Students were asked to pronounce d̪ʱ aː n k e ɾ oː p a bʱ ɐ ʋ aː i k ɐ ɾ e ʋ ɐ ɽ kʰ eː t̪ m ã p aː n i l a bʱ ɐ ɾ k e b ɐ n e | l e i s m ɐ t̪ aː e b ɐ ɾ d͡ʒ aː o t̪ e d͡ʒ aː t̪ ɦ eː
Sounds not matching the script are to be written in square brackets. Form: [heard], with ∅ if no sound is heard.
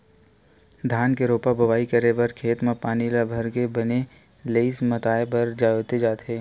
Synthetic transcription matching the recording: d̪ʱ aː n k e ɾ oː p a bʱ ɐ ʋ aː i k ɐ ɾ e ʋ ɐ [ɾ] kʰ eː t̪ m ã p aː n i l a bʱ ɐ ɾ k e b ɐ n e | l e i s m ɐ t̪ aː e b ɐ ɾ d͡ʒ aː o t̪ e d͡ʒ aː t̪ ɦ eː